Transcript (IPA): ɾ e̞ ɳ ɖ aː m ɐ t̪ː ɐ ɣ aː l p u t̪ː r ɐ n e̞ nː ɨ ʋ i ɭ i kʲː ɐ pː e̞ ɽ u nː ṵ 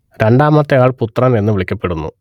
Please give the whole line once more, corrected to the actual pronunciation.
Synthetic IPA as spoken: ɾ e̞ ɳ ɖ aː m ɐ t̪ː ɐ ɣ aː ɭ p u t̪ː r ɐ n e̞ nː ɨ ʋ i ɭ i kʲː ɐ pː e̞ ɽ u nː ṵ